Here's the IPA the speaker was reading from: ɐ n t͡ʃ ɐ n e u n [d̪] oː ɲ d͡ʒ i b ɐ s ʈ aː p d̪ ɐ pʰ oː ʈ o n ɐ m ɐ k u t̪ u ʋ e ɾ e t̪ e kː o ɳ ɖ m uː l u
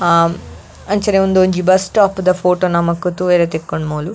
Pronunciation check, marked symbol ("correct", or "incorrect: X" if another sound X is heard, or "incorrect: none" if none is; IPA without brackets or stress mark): correct